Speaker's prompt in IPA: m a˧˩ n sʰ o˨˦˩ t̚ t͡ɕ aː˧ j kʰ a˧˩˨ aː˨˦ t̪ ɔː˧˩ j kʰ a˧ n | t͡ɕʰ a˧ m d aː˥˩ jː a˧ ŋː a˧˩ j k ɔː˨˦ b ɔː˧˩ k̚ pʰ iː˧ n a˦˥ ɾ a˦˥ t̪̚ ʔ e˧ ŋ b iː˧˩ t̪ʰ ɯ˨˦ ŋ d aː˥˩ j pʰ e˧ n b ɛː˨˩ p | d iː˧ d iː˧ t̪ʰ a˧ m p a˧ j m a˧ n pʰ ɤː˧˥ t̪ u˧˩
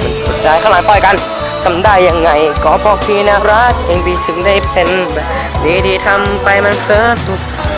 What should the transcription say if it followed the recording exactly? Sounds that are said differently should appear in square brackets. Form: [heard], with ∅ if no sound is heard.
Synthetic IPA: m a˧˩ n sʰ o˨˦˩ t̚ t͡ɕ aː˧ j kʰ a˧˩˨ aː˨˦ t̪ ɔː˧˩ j [k] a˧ n | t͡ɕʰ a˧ m d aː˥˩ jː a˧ ŋː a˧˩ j k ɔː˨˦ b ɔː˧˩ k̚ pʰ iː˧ n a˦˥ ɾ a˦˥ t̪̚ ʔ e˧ ŋ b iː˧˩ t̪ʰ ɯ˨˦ ŋ d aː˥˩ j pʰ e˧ n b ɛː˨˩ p | d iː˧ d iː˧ t̪ʰ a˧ m p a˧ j m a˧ n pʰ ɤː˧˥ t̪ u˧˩